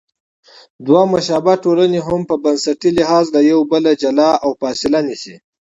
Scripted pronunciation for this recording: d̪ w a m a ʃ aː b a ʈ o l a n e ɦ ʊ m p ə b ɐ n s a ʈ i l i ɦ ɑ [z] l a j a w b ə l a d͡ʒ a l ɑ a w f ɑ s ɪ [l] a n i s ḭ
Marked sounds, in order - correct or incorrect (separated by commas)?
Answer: correct, correct